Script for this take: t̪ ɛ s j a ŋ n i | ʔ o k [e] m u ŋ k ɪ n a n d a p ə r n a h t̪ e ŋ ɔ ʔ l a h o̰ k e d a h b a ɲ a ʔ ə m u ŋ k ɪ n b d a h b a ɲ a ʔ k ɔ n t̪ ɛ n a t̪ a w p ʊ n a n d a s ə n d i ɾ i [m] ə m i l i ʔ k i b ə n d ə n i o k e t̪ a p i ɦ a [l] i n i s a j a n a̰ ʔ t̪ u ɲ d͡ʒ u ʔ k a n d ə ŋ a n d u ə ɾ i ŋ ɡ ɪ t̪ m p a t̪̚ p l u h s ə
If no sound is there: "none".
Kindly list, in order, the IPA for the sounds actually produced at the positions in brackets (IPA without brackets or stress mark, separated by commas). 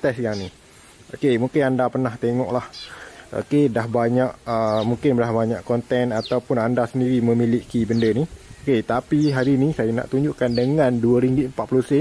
e, m, ɾ